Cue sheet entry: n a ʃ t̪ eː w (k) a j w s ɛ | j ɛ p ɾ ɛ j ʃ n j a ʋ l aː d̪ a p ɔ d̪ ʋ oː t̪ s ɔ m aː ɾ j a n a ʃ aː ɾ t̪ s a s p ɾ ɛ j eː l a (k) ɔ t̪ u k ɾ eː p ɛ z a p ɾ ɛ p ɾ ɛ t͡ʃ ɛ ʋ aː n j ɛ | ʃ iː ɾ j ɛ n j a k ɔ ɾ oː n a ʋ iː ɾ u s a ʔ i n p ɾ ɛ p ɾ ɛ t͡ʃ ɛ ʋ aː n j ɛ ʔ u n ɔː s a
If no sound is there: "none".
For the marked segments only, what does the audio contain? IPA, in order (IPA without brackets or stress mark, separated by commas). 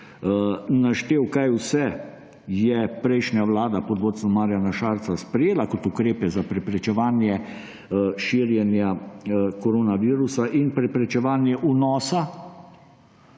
k, k